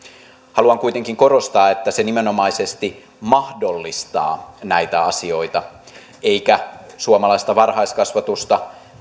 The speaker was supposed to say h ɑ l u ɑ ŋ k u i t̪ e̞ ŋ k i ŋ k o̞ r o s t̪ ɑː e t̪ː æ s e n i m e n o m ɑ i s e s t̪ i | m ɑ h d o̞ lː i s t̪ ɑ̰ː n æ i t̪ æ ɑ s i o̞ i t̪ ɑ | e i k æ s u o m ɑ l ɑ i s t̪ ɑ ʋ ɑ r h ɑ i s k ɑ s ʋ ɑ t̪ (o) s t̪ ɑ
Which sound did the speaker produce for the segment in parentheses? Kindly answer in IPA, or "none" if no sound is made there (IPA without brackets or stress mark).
u